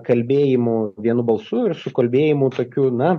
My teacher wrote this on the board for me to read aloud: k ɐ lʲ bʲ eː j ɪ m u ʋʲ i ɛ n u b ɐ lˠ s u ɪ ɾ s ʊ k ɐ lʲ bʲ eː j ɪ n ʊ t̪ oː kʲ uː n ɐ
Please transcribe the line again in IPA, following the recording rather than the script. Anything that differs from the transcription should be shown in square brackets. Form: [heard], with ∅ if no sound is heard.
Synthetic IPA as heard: k ɐ lʲ bʲ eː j ɪ m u ʋʲ i ɛ n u b ɐ lˠ s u ɪ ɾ s ʊ k ɐ lʲ bʲ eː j ɪ [m] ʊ t̪ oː kʲ uː n ɐ